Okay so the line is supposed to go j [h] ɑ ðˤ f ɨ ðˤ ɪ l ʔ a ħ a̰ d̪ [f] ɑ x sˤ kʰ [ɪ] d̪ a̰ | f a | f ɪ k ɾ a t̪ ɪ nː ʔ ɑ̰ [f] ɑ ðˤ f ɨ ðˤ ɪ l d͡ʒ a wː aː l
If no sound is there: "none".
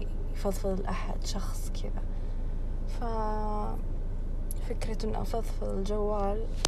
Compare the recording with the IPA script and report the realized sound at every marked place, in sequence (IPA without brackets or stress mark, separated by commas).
f, ʃ, ɪ, f